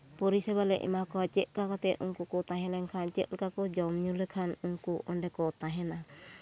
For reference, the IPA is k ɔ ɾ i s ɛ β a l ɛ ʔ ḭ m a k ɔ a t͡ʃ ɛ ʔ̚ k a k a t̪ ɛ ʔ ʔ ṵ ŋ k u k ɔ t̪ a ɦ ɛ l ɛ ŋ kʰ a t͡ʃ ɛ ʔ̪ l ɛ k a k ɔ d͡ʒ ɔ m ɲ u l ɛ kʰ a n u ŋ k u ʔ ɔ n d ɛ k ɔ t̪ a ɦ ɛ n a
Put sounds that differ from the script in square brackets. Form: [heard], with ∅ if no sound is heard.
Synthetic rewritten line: [p] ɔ ɾ i s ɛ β a l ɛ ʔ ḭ m a k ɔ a t͡ʃ ɛ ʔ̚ k a k a t̪ ɛ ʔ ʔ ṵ ŋ k u k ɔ t̪ a ɦ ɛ l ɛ ŋ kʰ a t͡ʃ ɛ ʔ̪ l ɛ k a k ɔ d͡ʒ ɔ m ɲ u l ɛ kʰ a n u ŋ k u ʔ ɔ n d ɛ k ɔ t̪ a ɦ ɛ n a